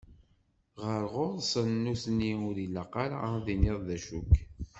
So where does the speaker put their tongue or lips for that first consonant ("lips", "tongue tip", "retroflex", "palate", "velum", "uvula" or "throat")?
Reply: uvula